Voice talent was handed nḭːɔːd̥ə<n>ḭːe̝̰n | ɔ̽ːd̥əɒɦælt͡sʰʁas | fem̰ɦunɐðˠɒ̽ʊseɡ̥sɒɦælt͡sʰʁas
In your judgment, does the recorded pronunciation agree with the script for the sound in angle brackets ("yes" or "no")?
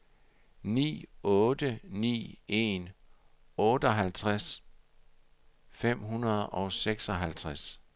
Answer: yes